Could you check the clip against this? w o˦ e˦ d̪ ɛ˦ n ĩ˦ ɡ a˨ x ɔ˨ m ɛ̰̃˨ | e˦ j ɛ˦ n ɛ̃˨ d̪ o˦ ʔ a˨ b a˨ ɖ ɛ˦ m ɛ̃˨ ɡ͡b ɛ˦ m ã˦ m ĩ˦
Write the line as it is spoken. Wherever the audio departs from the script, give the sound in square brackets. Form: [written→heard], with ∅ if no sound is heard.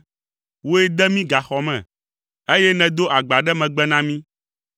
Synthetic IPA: w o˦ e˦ d̪ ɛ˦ [n→m] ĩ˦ ɡ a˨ x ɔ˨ m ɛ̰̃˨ | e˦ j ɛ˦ n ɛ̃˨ d̪ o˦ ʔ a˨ [b→ɡ͡b] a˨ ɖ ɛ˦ m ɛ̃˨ ɡ͡b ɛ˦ [m→n] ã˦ m ĩ˦